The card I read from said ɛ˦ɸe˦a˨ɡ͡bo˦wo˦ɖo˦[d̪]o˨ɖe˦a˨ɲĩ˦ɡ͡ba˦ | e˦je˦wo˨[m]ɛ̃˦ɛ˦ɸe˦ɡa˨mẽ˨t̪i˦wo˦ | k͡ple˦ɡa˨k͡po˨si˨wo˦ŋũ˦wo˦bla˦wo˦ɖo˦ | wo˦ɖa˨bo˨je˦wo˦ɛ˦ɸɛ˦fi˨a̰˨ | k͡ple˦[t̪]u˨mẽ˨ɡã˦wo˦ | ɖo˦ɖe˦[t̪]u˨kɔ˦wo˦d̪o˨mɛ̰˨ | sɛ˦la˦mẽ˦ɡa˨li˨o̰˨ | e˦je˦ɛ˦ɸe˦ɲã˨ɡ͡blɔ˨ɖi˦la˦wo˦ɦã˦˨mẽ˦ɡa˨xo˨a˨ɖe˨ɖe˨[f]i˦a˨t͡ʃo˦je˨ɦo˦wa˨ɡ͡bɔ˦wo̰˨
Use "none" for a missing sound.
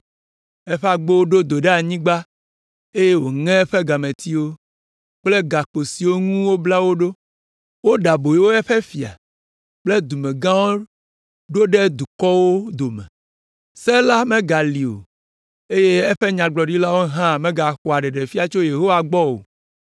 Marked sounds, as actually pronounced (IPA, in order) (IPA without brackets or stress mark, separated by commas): d̪, ŋ, d̪, d̪, f